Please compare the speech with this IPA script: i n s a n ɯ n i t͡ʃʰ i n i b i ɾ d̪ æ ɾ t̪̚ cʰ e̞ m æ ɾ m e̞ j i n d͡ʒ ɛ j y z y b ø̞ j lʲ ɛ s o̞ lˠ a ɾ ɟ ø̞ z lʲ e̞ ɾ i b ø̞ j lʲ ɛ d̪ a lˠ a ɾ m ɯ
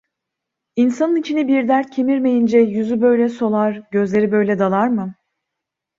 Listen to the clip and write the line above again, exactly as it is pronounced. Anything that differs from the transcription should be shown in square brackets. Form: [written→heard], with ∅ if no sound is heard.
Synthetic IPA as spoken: i n s a n ɯ n i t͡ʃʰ i n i b i ɾ d̪ æ ɾ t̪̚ cʰ e̞ m [æ→i] ɾ m e̞ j i n d͡ʒ ɛ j y z y b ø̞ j lʲ ɛ s o̞ lˠ a ɾ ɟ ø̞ z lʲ e̞ ɾ i b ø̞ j lʲ ɛ d̪ a lˠ a ɾ m ɯ